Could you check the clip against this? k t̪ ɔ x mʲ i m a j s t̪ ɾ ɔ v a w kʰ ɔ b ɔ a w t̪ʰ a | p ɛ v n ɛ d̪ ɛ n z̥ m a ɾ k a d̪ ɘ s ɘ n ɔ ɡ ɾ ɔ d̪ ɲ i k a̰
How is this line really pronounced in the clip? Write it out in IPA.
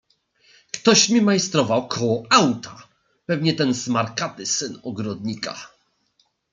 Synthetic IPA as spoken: k t̪ ɔ ɕ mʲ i m a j s t̪ ɾ ɔ v a w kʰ ɔ w ɔ a w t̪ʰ a | p ɛ v ɲ ɛ t̪ ɛ n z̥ m a ɾ k a t̪ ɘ s ɘ n ɔ ɡ ɾ ɔ d̪ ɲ i k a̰